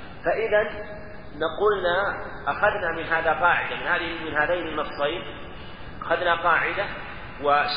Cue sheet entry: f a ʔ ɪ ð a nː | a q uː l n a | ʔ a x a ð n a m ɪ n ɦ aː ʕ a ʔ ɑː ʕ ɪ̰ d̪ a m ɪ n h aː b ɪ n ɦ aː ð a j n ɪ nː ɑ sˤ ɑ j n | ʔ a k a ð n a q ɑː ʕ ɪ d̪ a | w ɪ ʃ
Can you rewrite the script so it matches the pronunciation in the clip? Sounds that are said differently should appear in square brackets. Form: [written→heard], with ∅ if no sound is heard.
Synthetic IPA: f a ʔ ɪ ð a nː | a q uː l n a | ʔ a x a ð n a m ɪ n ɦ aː [ʕ→ð] a [ʔ→q] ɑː ʕ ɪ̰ d̪ a m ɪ n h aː [b→m] ɪ n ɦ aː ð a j n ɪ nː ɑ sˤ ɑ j n | ʔ a [k→x] a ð n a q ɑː ʕ ɪ d̪ a | w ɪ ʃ